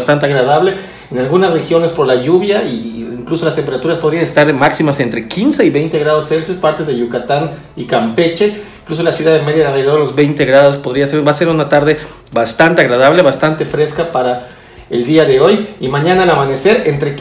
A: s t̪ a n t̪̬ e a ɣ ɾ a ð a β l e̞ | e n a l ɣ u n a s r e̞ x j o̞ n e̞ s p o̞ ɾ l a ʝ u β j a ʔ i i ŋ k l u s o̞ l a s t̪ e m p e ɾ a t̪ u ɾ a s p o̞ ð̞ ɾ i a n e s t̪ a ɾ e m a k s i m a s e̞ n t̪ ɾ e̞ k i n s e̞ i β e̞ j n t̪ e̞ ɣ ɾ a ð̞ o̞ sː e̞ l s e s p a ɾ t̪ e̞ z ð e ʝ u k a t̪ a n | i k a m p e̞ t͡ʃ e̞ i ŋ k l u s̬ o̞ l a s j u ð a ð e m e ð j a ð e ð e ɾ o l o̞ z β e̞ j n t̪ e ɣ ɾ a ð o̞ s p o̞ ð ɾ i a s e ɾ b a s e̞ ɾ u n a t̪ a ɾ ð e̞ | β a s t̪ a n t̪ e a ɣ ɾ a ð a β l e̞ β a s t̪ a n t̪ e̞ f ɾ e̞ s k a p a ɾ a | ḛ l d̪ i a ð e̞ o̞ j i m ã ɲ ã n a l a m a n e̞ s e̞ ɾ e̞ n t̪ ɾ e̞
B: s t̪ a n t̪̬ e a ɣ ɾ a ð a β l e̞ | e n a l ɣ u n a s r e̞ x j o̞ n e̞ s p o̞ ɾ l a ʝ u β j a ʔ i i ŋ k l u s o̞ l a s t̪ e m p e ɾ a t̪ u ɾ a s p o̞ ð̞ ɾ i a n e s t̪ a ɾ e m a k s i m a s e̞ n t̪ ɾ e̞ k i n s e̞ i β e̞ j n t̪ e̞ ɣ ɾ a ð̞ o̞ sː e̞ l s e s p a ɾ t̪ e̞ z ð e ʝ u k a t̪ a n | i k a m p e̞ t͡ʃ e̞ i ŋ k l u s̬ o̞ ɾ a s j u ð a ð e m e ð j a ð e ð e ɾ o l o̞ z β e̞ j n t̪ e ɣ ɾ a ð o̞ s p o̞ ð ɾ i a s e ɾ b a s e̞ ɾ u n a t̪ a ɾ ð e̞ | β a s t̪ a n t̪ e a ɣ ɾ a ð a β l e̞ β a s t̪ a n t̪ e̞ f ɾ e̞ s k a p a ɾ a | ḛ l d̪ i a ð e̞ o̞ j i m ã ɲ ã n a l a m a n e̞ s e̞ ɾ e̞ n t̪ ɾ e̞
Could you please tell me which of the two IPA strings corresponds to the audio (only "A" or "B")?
A